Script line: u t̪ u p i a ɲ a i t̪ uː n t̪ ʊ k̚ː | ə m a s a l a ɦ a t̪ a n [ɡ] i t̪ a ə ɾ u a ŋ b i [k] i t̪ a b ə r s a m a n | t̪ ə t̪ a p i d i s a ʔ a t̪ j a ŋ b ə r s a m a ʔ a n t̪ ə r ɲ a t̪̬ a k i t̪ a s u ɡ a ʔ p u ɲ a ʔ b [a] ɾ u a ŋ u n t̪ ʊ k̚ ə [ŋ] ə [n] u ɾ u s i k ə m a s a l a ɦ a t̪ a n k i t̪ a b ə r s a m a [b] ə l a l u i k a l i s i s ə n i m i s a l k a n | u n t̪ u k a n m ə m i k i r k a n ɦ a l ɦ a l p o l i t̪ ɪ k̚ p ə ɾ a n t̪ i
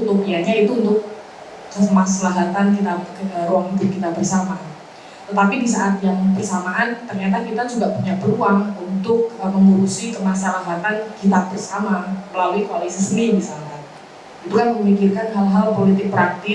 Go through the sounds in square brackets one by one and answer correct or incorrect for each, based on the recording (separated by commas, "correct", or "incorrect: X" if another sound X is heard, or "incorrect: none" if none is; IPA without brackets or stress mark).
incorrect: k, correct, incorrect: ə, incorrect: m, incorrect: ŋ, incorrect: m